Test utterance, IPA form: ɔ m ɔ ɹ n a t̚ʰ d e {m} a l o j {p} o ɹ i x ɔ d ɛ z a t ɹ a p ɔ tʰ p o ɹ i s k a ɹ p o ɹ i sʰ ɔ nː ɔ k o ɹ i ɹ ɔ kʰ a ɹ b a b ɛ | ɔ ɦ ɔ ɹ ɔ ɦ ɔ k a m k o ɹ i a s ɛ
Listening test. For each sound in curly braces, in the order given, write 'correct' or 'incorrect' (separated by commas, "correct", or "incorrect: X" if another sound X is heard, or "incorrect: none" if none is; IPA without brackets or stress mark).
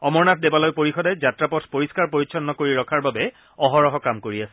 incorrect: b, correct